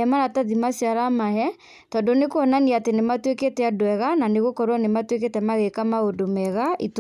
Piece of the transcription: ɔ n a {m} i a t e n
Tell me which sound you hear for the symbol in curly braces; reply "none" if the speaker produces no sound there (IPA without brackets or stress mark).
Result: n